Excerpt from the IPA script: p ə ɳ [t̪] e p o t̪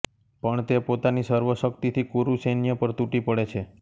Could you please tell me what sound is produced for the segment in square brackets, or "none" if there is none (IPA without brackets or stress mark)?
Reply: t̪